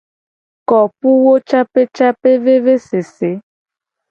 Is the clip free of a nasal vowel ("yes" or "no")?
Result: yes